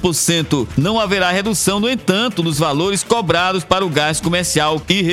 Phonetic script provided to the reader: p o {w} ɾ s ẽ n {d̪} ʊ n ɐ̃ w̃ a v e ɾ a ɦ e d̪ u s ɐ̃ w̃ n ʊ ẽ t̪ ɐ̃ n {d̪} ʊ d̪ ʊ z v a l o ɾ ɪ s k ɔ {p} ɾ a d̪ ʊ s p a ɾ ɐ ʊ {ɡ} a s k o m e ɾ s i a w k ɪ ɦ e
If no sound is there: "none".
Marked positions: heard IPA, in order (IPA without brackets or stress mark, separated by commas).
none, t̪, t̪, b, ɡ